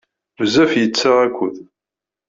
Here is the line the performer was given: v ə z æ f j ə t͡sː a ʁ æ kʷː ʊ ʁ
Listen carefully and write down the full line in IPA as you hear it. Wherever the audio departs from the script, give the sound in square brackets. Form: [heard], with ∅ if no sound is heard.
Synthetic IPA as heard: v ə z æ f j ə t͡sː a ʁ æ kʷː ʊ [ð]